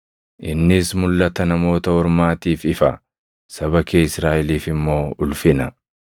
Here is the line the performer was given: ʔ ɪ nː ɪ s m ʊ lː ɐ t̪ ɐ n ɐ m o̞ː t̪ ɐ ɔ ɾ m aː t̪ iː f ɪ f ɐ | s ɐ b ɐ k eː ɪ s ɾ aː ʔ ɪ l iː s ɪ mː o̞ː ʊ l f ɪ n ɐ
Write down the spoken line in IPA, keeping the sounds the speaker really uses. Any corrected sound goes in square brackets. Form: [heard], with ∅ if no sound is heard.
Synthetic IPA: ʔ ɪ nː ɪ s m ʊ lː ɐ t̪ ɐ n ɐ m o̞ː t̪ ɐ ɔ ɾ m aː t̪ iː f ɪ f ɐ | s ɐ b ɐ k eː ɪ s ɾ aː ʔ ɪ l iː [f] ɪ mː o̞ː ʊ l f ɪ n ɐ